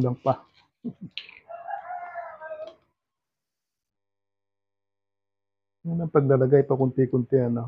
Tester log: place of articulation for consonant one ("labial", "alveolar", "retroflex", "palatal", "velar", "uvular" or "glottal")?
alveolar